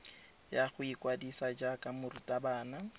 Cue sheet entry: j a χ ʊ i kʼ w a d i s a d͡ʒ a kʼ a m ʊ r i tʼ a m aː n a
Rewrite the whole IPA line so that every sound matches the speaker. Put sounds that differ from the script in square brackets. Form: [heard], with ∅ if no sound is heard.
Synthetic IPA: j a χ ʊ i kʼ w a d i s a d͡ʒ a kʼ a m ʊ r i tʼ a [b] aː n a